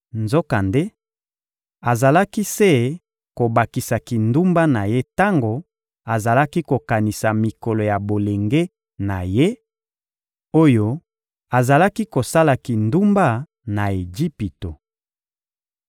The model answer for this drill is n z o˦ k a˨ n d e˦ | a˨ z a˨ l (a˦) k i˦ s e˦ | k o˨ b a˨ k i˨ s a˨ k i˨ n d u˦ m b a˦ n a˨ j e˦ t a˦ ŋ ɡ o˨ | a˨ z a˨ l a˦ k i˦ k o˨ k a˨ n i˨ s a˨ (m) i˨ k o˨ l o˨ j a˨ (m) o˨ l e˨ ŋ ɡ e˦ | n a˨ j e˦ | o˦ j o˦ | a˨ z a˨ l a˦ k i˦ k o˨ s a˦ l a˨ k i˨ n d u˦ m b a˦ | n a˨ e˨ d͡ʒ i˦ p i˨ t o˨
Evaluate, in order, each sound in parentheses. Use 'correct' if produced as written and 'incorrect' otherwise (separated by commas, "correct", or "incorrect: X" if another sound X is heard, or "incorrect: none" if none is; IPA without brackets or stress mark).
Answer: correct, correct, incorrect: b